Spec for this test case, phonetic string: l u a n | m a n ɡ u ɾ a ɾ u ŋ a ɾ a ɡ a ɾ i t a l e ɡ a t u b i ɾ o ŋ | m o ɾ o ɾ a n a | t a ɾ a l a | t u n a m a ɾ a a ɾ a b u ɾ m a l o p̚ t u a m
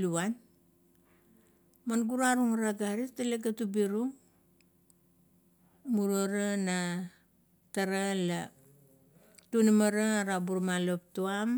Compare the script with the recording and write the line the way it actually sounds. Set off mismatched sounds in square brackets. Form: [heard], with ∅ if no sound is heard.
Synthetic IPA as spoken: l u a n | m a n ɡ u ɾ a ɾ u ŋ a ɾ a ɡ a ɾ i t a l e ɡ a t u b i ɾ [u] ŋ | m [u] ɾ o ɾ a n a | t a ɾ a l a | t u n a m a ɾ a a ɾ a b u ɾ m a l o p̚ t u a m